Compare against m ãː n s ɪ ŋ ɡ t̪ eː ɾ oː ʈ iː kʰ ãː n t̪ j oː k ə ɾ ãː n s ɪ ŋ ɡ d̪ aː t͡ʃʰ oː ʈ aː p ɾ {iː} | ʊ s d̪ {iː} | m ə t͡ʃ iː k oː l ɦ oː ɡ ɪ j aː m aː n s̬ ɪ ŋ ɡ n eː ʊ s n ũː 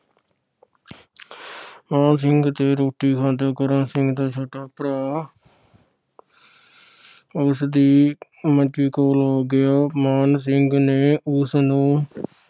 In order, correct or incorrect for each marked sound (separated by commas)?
incorrect, correct